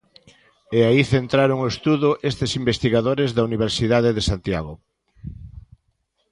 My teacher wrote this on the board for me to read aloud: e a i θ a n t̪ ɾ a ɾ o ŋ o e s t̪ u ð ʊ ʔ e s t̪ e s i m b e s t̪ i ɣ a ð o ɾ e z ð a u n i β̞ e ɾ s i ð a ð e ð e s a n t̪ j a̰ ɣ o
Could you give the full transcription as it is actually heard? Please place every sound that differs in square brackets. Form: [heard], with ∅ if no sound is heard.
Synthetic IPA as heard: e a i θ [e] n t̪ ɾ a ɾ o ŋ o e s t̪ u ð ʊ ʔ e s t̪ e s i m b e s t̪ i ɣ a ð o ɾ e z ð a u n i β̞ e ɾ s i ð a ð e ð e s a n t̪ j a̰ ɣ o